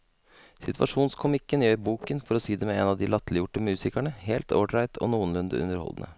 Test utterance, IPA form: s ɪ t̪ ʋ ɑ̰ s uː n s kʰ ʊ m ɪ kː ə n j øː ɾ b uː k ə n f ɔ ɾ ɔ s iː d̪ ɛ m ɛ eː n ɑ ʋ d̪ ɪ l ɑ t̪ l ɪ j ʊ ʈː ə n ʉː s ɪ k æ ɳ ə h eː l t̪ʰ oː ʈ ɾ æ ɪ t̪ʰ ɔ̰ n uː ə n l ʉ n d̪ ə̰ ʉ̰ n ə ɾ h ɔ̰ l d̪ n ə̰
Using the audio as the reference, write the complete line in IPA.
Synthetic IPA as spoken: s ɪ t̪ ʋ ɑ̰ ʂ uː n s kʰ ʊ m ɪ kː ə n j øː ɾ b uː k ə n f ɔ ɾ ɔ s iː d̪ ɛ m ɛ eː n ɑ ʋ d̪ ɪ l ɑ t̪ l ɪ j ʊ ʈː ə m ʉː s ɪ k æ ɳ ə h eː l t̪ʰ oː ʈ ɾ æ ɪ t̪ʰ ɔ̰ n uː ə n l ʉ n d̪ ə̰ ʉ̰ n ə ɾ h ɔ̰ l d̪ n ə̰